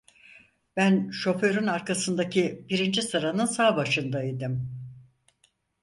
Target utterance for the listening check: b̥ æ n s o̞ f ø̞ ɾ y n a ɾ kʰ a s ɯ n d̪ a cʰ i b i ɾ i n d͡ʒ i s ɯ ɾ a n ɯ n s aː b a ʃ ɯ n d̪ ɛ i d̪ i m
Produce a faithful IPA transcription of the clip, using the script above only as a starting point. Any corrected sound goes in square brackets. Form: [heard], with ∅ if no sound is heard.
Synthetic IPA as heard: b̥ æ n [ʃ] o̞ f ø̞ ɾ y n a ɾ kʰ a s ɯ n d̪ a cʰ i b i ɾ i n d͡ʒ i s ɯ ɾ a n ɯ n s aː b a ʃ ɯ n d̪ [a] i d̪ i m